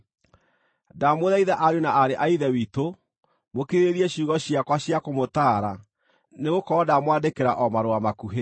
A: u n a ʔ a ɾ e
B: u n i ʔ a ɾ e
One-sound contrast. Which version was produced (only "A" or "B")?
A